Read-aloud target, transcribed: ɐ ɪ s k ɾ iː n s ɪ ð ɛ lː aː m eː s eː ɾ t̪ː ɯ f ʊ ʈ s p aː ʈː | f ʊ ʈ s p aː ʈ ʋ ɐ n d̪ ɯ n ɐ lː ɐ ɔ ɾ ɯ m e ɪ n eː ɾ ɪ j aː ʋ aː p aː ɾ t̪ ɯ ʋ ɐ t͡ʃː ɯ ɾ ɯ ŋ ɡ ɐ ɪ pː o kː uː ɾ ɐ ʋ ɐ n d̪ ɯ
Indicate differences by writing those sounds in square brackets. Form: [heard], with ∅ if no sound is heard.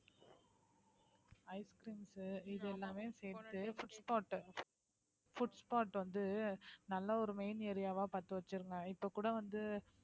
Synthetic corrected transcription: ɐ ɪ s k ɾ iː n s ɪ ð ɛ lː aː m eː s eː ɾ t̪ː ɯ f ʊ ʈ s p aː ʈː | f ʊ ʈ s p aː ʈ ʋ ɐ n d̪ ɯ n ɐ lː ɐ ɔ ɾ ɯ m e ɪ n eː ɾ ɪ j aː ʋ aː p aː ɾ t̪ ɯ ʋ ɐ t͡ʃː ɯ ɾ ɯ ŋ ɡ ɐ ɪ pː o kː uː [ɽ] ɐ ʋ ɐ n d̪ ɯ

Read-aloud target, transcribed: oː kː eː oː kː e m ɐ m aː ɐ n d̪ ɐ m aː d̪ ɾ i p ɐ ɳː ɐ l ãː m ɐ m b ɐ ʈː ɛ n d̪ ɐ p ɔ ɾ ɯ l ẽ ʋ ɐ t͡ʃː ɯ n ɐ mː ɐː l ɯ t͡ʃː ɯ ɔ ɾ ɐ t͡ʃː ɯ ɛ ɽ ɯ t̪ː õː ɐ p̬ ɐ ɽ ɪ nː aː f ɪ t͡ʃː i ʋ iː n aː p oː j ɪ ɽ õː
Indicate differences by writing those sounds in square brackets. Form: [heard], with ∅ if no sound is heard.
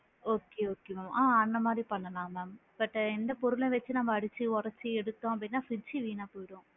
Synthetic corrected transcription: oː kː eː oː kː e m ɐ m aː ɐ n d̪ ɐ m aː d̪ ɾ i p ɐ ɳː ɐ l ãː m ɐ m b ɐ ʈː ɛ n d̪ ɐ p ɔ ɾ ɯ l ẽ ʋ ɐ t͡ʃː ɯ n ɐ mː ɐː [ɽ] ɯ t͡ʃː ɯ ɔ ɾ ɐ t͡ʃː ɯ ɛ ɽ ɯ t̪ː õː ɐ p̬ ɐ ɽ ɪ nː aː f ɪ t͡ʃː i ʋ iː n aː p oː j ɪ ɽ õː

